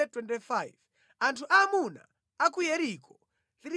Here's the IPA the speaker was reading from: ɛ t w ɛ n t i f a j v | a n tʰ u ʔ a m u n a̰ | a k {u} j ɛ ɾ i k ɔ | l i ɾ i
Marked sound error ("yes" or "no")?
no